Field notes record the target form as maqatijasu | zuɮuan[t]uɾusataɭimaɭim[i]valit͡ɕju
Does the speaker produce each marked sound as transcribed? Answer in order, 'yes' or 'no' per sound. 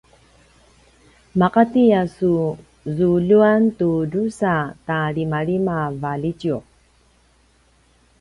yes, no

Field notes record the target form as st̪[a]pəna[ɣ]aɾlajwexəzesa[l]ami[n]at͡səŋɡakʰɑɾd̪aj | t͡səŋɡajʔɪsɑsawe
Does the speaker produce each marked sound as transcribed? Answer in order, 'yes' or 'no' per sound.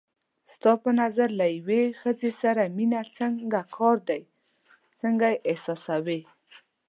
no, no, no, yes

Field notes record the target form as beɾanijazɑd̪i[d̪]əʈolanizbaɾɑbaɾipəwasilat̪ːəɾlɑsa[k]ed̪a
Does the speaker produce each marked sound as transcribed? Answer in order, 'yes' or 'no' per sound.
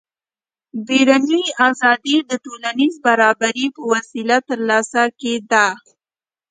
yes, yes

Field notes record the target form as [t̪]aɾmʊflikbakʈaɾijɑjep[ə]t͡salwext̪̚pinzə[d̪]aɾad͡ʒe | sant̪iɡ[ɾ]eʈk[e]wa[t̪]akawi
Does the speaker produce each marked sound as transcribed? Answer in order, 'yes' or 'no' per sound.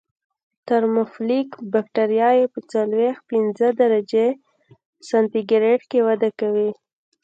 yes, yes, yes, yes, yes, no

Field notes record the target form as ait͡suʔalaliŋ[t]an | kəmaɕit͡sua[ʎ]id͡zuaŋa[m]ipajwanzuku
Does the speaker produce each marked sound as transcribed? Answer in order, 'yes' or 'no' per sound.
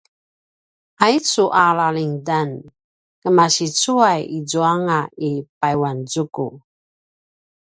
no, no, no

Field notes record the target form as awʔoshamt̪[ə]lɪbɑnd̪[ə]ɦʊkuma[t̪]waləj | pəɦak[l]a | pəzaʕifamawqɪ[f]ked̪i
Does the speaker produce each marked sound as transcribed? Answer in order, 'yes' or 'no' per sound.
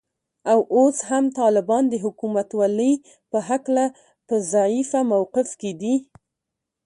no, yes, yes, yes, yes

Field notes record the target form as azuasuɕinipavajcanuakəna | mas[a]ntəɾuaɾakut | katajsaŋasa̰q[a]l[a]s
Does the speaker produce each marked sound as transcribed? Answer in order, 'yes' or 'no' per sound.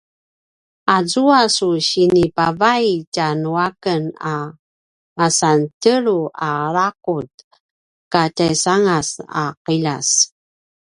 yes, no, yes

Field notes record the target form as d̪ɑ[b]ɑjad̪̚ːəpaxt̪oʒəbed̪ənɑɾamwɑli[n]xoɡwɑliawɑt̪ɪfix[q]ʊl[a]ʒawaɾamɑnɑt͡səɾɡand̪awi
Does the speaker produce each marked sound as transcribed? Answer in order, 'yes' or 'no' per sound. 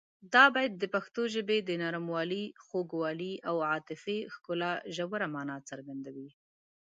yes, no, no, yes

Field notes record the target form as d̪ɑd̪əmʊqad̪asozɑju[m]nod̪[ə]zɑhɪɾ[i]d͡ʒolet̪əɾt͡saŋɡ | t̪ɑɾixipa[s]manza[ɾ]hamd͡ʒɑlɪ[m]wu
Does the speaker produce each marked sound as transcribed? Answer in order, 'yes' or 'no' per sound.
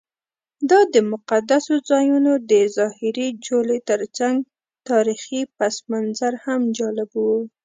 no, yes, yes, yes, yes, no

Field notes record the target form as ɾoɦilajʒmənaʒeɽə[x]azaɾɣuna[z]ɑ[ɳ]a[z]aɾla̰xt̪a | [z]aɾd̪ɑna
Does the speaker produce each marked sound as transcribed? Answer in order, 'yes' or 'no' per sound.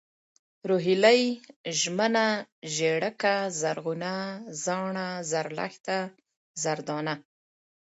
no, yes, yes, yes, yes

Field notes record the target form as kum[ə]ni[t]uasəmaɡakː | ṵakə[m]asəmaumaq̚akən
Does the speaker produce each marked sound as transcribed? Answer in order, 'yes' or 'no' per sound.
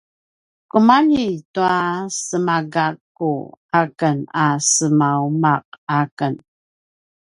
no, yes, no

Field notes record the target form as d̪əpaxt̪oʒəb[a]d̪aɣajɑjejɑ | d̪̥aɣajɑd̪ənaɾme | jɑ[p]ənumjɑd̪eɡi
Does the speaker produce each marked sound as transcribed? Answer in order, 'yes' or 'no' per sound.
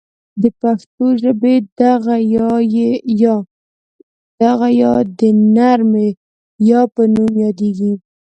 no, yes

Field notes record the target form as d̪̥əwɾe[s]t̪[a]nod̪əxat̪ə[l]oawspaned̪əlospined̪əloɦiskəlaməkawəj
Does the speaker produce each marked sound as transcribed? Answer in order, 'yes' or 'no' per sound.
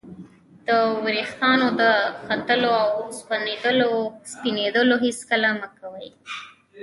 no, no, yes

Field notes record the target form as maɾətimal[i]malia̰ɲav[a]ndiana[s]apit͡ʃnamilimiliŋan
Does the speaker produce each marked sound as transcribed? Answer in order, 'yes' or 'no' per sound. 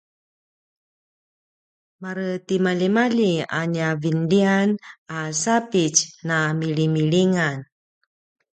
yes, no, yes

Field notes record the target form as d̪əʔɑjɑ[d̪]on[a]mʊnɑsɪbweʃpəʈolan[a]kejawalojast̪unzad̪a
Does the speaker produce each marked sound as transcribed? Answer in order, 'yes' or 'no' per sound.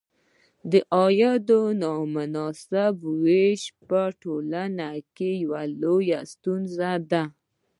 yes, no, yes

